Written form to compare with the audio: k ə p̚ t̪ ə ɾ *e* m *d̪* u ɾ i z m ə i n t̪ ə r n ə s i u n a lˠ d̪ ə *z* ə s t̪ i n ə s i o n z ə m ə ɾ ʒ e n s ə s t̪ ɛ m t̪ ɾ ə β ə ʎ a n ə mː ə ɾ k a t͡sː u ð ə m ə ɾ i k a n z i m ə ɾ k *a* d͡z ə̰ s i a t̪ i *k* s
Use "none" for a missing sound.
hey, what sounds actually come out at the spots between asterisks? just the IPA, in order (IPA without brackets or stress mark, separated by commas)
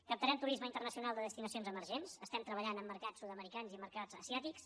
ɛ, t̪, ð, a, k